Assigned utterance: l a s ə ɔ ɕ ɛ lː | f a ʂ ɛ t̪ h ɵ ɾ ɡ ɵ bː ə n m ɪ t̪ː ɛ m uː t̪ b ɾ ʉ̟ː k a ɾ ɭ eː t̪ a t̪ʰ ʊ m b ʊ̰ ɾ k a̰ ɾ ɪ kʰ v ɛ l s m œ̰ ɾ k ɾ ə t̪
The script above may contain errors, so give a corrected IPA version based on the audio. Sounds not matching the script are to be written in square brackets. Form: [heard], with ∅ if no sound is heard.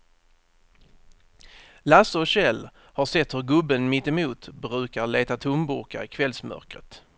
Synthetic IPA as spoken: l a s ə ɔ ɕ ɛ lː | [h] a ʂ ɛ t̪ h ɵ ɾ ɡ ɵ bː ə n m ɪ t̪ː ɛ m uː t̪ b ɾ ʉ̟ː k a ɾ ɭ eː t̪ a t̪ʰ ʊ m b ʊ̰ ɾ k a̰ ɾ ɪ kʰ v ɛ l s m œ̰ ɾ k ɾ ə t̪